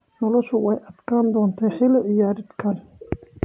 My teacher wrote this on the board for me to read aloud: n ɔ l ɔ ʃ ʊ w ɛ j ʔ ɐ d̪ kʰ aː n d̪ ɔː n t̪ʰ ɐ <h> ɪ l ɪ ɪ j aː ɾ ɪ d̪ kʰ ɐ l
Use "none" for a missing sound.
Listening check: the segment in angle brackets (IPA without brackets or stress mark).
ħ